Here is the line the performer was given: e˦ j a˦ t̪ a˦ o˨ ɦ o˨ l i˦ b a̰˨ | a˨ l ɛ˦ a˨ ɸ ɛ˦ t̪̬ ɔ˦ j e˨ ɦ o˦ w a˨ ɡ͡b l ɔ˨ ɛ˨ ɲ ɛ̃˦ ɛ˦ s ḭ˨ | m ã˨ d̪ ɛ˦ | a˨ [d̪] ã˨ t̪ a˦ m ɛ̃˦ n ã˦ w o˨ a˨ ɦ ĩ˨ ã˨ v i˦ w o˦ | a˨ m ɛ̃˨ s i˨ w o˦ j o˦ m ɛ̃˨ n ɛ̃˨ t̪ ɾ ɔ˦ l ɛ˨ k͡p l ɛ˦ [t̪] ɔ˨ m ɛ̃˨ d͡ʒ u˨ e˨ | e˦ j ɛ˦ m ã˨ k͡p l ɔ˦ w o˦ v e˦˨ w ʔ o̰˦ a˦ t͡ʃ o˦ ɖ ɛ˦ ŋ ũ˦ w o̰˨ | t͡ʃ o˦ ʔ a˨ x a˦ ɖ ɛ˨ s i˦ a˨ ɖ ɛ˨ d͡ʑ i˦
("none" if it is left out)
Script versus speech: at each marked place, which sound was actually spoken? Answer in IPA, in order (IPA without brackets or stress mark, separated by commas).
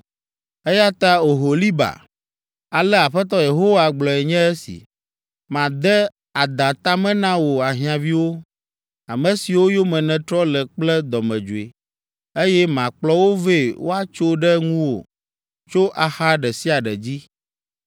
d̪, d̪